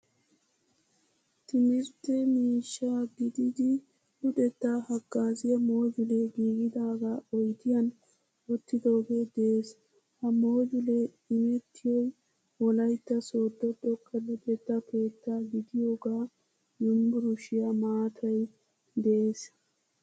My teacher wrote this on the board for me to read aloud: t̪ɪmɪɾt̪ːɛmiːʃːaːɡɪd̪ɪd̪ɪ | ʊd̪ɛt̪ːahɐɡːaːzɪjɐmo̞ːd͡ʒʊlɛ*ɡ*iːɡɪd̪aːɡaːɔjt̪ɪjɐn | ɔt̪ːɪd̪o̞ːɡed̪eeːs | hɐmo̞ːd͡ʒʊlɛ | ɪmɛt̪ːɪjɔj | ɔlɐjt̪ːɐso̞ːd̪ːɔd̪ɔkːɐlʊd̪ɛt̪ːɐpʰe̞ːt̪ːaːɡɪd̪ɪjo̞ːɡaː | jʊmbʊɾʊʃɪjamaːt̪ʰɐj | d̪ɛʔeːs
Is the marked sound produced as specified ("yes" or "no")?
yes